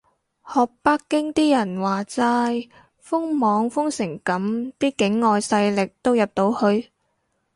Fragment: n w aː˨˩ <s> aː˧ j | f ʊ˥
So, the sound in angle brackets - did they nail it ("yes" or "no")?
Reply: no